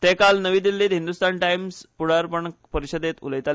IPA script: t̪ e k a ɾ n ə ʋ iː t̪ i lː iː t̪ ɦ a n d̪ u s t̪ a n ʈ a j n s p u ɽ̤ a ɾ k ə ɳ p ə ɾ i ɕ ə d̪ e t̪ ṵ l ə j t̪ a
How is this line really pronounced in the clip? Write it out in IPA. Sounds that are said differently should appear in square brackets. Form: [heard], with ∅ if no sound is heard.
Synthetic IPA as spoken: t̪ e k a [l] n ə ʋ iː [d̪] i lː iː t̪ ɦ [i] n d̪ u s t̪ a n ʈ a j [m] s p u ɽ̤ a ɾ [p] ə ɳ p ə ɾ i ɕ ə d̪ e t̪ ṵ l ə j t̪ a